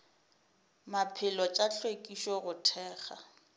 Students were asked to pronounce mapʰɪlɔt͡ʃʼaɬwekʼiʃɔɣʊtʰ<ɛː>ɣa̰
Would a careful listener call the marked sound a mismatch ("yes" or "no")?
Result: no